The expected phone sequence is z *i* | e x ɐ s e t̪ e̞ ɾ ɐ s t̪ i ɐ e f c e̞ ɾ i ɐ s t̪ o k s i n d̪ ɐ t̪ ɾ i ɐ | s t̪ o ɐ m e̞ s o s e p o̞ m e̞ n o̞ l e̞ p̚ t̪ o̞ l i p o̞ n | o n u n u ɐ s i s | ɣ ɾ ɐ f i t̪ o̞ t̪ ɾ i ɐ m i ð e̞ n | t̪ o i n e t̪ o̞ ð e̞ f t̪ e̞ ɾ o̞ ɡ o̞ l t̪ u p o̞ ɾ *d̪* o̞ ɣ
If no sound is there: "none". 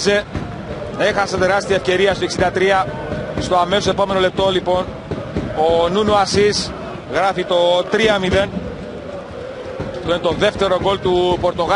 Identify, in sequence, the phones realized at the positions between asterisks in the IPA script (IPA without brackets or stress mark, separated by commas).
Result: e, t̪